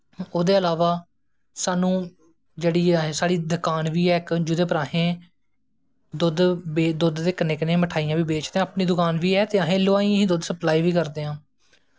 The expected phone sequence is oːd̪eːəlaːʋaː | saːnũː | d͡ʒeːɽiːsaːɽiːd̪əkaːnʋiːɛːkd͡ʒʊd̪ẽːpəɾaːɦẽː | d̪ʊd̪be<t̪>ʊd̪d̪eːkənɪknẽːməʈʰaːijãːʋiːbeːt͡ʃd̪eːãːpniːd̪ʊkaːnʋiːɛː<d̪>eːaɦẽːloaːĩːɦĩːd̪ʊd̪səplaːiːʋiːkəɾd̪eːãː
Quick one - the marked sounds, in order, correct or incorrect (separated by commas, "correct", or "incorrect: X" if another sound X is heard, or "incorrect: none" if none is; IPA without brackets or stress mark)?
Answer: incorrect: d̪, incorrect: t̪